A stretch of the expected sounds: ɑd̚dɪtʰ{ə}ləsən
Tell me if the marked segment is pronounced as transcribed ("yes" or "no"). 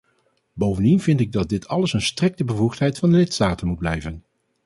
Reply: no